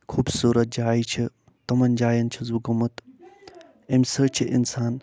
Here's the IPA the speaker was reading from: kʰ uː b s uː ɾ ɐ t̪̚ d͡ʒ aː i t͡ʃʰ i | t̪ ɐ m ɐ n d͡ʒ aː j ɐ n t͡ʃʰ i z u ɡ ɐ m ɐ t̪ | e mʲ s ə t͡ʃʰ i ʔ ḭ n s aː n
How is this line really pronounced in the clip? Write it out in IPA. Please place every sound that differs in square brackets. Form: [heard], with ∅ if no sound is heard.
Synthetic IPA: kʰ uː b s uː ɾ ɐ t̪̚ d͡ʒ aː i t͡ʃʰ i | t̪ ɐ m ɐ n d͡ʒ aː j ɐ n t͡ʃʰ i z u ɡ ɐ m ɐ t̪ | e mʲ s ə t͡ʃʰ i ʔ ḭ n s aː n